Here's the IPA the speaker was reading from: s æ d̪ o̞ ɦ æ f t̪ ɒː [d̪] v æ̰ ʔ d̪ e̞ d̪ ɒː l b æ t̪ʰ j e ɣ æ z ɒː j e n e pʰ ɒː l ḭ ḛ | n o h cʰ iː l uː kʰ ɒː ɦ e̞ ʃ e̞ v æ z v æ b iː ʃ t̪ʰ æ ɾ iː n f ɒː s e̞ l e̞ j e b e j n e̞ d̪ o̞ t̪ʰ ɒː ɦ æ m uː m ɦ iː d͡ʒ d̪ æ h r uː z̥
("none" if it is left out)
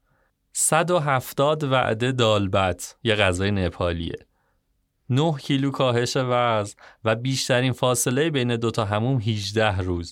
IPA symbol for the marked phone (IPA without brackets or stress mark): d̪